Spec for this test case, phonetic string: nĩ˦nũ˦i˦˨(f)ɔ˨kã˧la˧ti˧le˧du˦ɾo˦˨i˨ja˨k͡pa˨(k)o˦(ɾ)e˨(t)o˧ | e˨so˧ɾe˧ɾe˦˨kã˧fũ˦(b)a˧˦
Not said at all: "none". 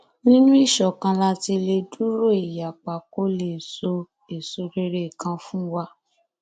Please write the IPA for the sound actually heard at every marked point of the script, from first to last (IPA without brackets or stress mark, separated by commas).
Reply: ʃ, k, l, s, w